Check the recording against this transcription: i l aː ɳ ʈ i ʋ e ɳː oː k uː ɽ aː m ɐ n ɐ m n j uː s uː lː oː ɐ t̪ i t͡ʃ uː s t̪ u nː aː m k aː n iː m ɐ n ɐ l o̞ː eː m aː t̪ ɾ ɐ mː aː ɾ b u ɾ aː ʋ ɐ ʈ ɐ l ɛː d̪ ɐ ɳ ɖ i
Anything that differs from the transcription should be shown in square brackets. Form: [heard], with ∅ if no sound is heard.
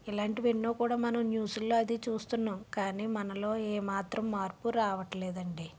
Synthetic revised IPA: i l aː ɳ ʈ i ʋ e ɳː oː k uː ɽ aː m ɐ n ɐ m n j uː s [u] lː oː ɐ [d̪] i t͡ʃ uː s t̪ u nː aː m k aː n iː m ɐ n ɐ l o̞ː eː m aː t̪ ɾ ɐ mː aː ɾ [p] u ɾ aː ʋ ɐ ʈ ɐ l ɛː d̪ ɐ ɳ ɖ i